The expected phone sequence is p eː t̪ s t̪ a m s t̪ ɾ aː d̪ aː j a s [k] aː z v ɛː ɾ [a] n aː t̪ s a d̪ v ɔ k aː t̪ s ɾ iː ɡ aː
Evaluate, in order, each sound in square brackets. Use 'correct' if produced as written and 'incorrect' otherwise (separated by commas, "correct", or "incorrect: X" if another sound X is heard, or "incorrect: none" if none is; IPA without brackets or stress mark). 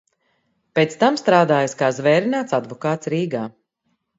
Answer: correct, incorrect: i